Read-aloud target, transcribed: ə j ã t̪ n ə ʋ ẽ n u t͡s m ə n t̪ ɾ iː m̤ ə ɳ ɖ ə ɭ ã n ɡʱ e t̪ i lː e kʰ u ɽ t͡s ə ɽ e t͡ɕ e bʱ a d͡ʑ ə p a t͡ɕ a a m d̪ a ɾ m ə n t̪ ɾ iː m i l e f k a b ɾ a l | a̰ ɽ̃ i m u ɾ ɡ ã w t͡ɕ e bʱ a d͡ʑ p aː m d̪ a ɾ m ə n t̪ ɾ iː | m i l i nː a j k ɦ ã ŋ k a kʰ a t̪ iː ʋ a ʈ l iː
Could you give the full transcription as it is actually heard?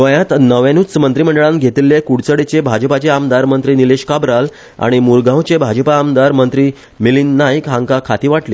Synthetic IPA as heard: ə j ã t̪ n ə ʋ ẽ n u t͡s m ə n t̪ ɾ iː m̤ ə ɳ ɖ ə ɭ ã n ɡʱ e t̪ i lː e k u ɽ t͡s ə ɽ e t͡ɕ e bʱ a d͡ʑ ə p a t͡ɕ e a m d̪ a ɾ m ə n t̪ ɾ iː n i l e ɕ k a b ɾ a l | a̰ ɽ̃ i m u ɾ ɡ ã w t͡ɕ e bʱ a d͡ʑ p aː m d̪ a ɾ m ə n t̪ ɾ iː | m i l i nː a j k ɦ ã ŋ k a kʰ a t̪ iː ʋ a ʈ l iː